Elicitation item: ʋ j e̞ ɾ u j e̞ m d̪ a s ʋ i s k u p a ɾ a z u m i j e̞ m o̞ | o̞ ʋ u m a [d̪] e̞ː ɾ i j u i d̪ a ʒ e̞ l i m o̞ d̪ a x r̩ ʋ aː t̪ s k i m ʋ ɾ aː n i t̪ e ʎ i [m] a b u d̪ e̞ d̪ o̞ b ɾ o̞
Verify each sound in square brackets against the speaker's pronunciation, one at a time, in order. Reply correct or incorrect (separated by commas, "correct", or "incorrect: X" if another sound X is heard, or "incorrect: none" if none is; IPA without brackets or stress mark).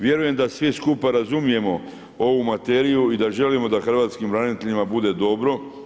incorrect: t̪, correct